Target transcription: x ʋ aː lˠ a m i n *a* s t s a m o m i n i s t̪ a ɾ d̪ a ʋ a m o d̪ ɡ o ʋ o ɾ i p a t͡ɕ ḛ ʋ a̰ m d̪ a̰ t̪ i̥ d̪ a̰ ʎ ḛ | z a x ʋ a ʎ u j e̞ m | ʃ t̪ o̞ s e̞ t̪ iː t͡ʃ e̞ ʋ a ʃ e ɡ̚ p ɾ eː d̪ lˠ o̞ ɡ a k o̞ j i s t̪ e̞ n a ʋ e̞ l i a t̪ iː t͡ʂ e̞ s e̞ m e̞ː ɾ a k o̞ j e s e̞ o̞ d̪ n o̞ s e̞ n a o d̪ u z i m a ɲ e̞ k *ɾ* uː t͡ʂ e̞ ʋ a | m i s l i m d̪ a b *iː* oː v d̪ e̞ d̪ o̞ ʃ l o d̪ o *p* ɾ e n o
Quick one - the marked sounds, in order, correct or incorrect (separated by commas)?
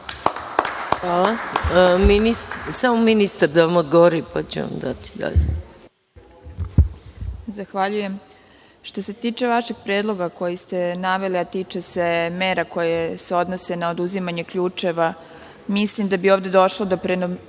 incorrect, incorrect, incorrect, correct